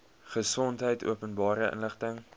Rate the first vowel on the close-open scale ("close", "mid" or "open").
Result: mid